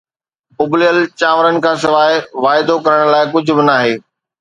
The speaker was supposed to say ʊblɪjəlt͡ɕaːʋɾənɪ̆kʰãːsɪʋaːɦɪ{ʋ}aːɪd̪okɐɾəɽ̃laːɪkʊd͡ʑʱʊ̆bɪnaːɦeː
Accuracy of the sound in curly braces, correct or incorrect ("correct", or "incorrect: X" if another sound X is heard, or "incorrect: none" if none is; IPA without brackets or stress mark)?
correct